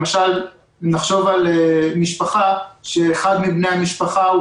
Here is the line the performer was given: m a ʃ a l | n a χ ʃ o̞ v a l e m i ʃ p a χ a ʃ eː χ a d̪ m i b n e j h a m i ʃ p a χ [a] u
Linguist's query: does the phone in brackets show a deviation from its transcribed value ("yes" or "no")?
no